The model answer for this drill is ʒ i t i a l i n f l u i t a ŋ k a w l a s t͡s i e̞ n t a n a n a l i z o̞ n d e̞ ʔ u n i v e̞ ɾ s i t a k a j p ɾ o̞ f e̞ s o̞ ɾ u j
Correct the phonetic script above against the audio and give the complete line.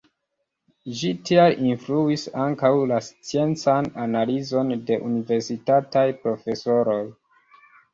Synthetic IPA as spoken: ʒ i t i a l i n f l u i s a ŋ k a w l a s t͡s i e̞ n t͡s a n a n a l i z o̞ n d e̞ ʔ u n i v e̞ ɾ s i t a t a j p ɾ o̞ f e̞ s o̞ ɾ o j